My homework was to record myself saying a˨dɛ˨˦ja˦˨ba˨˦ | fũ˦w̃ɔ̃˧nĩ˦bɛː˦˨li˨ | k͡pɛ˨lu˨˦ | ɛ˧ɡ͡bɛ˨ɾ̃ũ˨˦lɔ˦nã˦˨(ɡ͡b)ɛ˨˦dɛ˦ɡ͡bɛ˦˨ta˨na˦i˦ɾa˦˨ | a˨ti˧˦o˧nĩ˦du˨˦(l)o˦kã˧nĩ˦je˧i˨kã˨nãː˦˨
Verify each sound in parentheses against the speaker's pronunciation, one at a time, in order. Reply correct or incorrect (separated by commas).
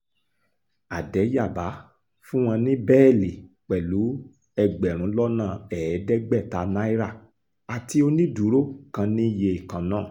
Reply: incorrect, incorrect